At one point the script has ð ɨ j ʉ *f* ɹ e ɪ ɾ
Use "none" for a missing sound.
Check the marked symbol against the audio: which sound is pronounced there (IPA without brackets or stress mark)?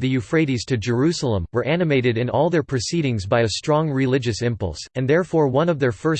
f